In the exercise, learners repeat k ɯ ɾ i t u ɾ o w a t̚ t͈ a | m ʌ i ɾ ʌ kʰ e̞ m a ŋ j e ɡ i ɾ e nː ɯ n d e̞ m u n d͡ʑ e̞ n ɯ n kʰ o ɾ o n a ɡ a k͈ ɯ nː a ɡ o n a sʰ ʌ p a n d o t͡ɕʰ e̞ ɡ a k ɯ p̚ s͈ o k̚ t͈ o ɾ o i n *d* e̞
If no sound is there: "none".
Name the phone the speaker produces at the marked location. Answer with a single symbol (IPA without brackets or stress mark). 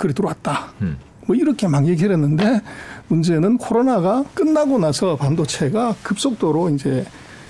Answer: d͡ʑ